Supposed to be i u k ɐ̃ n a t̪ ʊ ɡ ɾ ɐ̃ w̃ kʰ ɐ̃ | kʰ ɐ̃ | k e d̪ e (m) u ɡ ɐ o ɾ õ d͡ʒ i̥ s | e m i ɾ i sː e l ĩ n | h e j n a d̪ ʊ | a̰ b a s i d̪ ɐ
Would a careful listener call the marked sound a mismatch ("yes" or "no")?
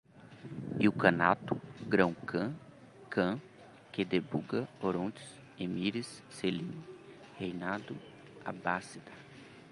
yes